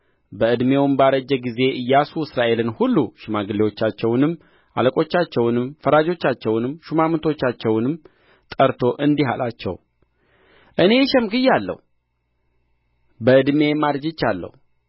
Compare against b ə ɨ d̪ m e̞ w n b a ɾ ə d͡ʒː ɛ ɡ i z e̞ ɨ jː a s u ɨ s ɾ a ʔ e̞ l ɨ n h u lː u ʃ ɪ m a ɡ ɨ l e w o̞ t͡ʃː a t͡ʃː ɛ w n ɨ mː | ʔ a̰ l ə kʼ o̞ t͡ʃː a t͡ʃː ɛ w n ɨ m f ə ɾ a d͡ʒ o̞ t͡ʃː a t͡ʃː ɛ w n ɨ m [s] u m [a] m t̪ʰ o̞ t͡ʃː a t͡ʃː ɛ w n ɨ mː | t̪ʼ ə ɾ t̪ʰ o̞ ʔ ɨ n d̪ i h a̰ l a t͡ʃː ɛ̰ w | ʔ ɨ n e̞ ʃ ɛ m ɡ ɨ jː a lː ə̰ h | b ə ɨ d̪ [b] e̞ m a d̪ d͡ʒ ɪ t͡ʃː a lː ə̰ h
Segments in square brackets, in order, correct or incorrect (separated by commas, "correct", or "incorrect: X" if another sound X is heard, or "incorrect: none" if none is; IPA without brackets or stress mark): incorrect: ʃ, correct, incorrect: m